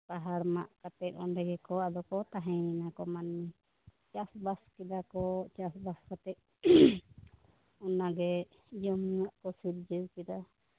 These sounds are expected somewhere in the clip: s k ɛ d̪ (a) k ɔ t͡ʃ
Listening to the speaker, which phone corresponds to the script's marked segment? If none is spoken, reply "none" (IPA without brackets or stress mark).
a